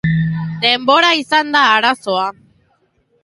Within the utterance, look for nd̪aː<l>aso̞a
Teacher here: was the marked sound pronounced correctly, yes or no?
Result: no